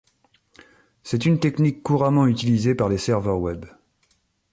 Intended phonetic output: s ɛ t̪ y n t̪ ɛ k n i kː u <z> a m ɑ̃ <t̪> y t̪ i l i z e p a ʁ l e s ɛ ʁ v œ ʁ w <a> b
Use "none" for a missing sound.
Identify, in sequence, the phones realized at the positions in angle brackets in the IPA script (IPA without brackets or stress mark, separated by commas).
ʁ, none, ɛ